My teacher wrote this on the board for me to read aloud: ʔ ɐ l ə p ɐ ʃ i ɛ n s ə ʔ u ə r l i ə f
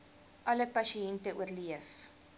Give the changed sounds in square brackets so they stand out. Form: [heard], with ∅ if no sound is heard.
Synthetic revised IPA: ʔ ɐ l ə p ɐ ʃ i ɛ n [t] ə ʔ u ə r l i ə f